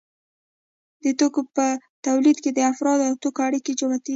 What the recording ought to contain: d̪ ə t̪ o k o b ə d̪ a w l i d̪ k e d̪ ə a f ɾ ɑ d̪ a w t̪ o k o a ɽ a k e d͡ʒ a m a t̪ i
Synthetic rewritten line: d̪ ə t̪ o k o p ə t̪ a w l i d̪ k e d̪ ə a f ɾ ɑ d̪ a w t̪ o k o a ɽ i k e d͡ʒ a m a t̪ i